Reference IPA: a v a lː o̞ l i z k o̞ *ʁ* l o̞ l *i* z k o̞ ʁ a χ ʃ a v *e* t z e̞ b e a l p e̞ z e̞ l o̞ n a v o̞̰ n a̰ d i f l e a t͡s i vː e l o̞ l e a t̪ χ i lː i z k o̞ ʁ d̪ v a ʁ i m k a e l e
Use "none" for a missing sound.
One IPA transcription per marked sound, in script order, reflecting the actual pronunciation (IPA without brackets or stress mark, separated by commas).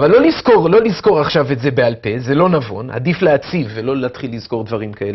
ʁ, i, e